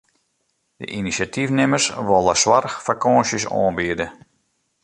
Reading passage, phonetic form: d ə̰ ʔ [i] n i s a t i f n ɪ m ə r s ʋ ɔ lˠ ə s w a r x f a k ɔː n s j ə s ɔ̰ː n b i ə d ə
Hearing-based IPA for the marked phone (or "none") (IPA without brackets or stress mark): i